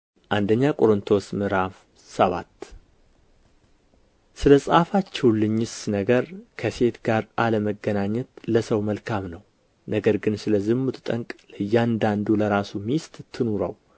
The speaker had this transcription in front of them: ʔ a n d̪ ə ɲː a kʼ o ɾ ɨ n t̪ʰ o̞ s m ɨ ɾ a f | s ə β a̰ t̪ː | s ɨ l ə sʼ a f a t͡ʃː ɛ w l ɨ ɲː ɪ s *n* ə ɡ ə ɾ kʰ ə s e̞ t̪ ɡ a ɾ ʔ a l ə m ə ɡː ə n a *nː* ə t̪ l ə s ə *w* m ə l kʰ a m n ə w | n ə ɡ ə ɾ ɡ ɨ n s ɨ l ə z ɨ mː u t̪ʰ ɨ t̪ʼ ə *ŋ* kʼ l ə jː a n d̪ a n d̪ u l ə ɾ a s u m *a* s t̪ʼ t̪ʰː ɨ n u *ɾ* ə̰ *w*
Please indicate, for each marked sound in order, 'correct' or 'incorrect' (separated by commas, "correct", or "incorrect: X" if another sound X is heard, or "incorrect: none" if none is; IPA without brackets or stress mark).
correct, incorrect: ɲː, correct, correct, incorrect: i, correct, correct